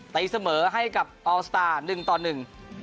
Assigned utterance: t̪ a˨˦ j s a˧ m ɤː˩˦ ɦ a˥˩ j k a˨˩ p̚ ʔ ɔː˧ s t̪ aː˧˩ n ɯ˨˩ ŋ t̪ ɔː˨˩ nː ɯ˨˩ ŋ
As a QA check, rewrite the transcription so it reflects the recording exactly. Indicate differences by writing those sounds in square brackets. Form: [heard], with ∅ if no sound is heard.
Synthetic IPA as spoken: t̪ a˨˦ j s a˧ m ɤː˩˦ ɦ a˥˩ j k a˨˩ p̚ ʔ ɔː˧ s t̪ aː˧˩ n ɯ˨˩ ŋ t̪ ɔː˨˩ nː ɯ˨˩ ŋ